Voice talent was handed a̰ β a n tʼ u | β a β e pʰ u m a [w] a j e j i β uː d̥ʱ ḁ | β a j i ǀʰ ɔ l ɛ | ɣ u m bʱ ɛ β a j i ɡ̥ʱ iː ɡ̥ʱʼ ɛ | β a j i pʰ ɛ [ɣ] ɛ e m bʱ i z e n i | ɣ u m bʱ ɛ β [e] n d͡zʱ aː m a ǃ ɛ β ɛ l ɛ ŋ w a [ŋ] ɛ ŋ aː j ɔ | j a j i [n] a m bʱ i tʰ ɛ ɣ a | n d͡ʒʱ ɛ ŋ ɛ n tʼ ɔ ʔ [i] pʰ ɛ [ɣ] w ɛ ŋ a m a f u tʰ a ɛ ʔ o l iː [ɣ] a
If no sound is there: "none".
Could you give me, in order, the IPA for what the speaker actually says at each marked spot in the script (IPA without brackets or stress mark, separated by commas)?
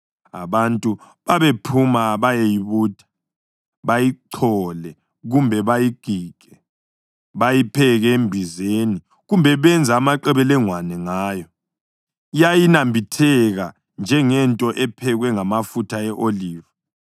β, ɣ, ɛ, n, n, ɛ, ɣ, v